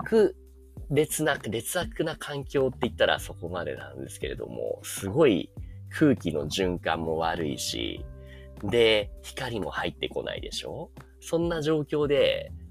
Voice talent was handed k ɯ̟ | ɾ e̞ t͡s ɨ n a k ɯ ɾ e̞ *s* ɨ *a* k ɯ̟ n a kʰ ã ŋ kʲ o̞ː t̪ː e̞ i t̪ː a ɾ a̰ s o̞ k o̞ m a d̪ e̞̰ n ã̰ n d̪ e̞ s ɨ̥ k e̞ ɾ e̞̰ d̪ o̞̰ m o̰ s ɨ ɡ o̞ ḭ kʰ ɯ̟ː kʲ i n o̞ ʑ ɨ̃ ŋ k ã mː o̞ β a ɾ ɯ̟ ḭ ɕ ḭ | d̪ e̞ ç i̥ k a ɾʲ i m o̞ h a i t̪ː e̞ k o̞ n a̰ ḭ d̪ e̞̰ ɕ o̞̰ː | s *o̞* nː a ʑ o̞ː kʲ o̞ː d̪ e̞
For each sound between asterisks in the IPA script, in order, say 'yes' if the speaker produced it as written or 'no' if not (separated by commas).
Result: no, yes, no